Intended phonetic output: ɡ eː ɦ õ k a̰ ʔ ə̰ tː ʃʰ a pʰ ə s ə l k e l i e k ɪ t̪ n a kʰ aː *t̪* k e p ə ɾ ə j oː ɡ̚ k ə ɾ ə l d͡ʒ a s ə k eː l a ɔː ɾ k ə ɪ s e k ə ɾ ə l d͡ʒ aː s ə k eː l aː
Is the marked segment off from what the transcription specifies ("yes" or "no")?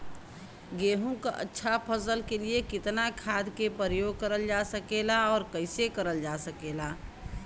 yes